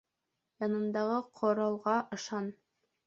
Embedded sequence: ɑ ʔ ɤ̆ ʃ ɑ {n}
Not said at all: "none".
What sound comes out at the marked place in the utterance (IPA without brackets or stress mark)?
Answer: n